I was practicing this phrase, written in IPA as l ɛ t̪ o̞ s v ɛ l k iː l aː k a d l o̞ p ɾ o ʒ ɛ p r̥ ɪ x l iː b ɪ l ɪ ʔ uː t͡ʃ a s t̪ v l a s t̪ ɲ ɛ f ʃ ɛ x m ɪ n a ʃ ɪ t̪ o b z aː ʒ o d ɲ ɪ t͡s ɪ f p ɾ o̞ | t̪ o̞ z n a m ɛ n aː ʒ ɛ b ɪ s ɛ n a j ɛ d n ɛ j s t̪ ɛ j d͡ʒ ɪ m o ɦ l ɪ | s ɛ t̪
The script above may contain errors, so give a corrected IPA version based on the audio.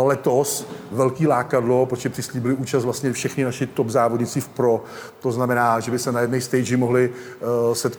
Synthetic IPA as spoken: l ɛ t̪ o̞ s v ɛ l k iː l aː k a d l o̞ p ɾ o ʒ ɛ p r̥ ɪ s l iː b ɪ l ɪ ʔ uː t͡ʃ a s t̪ v l a s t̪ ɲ ɛ f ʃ ɛ x n ɪ n a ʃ ɪ t̪ o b z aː v o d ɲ ɪ t͡s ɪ f p ɾ o̞ | t̪ o̞ z n a m ɛ n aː ʒ ɛ b ɪ s ɛ n a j ɛ d n ɛ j s t̪ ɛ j d͡ʒ ɪ m o ɦ l ɪ | s ɛ t̪